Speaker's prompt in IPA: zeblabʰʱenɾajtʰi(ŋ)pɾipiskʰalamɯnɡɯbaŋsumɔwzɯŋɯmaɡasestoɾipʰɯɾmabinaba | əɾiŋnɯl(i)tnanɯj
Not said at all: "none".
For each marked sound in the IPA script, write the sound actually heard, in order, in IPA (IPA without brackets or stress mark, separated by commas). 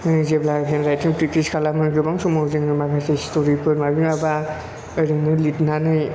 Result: ŋ, i